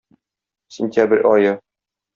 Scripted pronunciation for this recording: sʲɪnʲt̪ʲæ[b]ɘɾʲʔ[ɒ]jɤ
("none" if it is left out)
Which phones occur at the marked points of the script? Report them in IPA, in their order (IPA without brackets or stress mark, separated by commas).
b, ɒ